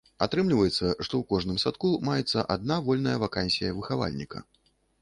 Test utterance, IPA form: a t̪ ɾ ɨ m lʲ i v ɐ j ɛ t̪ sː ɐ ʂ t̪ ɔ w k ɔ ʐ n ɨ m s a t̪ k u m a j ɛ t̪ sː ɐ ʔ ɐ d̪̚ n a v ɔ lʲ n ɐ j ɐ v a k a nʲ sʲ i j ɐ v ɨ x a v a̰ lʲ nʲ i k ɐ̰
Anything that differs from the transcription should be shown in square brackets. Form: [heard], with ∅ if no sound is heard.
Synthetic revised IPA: a t̪ ɾ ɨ m lʲ i v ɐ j ɛ t̪ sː ɐ ʂ t̪ ɔ w k ɔ ʐ n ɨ m s a t̪ k u m a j ɛ t̪ sː ɐ ʔ [a] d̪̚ n a v ɔ lʲ n ɐ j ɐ v a k a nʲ sʲ i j ɐ v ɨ x a v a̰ lʲ nʲ i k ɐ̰